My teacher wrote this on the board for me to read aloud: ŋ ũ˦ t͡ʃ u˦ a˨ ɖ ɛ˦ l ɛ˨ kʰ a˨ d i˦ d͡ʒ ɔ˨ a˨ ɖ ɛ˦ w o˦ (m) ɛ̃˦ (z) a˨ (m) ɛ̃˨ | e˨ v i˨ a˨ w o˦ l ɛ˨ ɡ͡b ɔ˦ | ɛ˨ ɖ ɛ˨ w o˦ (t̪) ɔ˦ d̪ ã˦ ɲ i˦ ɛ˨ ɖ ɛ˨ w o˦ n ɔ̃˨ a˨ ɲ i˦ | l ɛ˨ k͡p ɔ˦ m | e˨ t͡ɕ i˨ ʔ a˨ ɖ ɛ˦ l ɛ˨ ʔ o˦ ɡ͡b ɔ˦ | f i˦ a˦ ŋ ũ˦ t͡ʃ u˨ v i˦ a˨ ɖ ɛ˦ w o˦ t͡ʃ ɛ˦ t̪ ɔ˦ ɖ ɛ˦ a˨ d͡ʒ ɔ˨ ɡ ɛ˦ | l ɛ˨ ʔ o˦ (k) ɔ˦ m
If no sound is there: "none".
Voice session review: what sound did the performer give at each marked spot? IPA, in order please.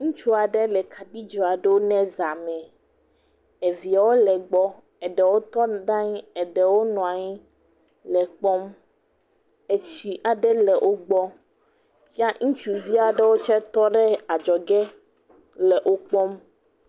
n, z, m, t̪, k͡p

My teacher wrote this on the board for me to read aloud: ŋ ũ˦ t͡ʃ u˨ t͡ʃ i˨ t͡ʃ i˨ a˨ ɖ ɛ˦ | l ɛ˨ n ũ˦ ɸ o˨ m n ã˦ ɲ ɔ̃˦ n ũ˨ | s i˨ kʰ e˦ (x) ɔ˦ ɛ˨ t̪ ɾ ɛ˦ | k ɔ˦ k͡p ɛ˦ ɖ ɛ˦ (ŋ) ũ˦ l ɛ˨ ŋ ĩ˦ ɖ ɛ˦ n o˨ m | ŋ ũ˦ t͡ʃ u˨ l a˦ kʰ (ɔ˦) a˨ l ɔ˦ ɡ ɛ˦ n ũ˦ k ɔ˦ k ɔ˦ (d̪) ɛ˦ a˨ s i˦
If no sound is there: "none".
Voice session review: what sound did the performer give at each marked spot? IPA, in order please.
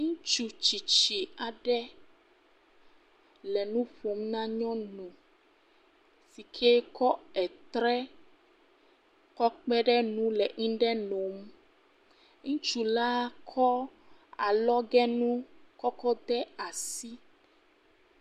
k, n, ɔ˦, d̪

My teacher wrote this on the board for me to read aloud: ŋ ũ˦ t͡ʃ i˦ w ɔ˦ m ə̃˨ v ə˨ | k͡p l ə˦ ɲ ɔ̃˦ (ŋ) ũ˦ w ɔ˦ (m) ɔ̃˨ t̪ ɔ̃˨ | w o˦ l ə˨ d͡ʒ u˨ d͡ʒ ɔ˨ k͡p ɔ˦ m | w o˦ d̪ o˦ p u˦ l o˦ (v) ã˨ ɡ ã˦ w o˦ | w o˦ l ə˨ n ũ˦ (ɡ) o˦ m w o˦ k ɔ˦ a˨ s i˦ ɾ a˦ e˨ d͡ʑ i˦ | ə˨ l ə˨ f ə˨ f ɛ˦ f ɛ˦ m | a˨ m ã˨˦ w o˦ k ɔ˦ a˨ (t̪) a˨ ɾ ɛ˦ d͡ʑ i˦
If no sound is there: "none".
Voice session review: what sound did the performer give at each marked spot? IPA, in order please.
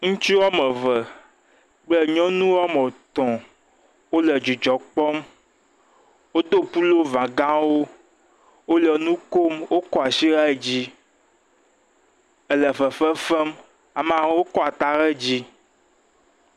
n, m, v, k, t̪

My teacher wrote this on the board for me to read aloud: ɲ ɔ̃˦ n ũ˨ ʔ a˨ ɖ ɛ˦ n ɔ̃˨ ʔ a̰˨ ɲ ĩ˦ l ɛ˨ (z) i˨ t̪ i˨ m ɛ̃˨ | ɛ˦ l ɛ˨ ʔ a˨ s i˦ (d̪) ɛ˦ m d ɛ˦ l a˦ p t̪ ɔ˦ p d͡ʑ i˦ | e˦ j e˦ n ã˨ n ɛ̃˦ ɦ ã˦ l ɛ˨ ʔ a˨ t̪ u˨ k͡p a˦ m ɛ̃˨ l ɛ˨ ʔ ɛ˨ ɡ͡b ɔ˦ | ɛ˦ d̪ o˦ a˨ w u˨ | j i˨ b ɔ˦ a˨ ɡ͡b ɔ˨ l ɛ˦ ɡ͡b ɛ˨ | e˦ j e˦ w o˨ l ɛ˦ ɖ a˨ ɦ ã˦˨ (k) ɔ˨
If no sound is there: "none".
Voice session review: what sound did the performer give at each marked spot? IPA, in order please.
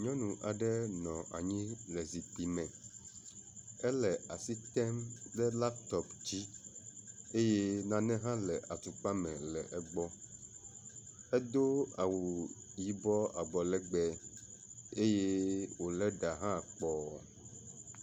z, t̪, k͡p

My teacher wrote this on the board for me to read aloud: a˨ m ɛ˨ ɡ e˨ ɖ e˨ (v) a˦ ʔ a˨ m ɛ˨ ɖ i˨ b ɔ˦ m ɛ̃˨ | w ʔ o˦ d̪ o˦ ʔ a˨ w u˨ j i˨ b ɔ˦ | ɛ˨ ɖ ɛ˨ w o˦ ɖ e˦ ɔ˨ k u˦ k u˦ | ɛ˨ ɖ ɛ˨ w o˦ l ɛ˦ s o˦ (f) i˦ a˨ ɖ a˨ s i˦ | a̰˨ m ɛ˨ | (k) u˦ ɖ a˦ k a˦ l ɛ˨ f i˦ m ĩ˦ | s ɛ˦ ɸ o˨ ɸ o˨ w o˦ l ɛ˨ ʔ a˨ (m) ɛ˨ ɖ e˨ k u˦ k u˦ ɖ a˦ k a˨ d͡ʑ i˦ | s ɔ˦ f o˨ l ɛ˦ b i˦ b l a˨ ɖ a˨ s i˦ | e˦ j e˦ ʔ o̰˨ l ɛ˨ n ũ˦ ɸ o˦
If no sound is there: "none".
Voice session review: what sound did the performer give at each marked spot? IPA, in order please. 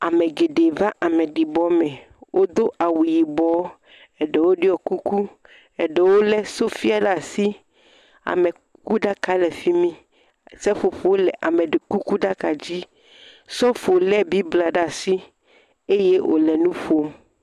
v, f, k, m

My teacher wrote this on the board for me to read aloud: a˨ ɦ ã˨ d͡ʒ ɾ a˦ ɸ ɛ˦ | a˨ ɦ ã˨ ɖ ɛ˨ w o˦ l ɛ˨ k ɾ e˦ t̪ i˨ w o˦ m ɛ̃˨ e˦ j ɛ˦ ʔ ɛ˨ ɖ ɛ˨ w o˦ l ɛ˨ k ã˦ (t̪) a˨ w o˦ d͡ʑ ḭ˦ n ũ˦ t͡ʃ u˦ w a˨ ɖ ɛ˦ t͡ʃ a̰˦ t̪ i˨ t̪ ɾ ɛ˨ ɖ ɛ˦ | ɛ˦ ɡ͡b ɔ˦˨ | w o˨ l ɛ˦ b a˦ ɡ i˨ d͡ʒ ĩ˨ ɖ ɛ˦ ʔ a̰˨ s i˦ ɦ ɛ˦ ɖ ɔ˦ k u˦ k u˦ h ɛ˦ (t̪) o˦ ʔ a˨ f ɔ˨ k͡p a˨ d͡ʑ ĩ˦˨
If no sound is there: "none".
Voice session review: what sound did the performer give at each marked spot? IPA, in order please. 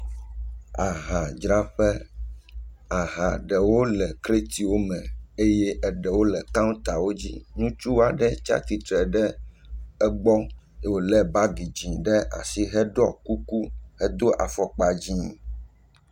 t̪, d̪

